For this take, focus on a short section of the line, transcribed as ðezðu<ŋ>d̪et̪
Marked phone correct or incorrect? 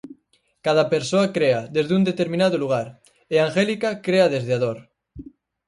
incorrect